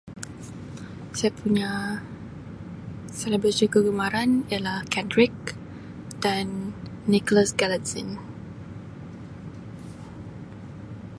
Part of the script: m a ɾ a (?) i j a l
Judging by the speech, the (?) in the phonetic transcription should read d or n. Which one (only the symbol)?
n